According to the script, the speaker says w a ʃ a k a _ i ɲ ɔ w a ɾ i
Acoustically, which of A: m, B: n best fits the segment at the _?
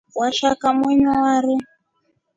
A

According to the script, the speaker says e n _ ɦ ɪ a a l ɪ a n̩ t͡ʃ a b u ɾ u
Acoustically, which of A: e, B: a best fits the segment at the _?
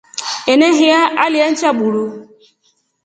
A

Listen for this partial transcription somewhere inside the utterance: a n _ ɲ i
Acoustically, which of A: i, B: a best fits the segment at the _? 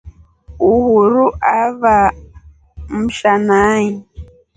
B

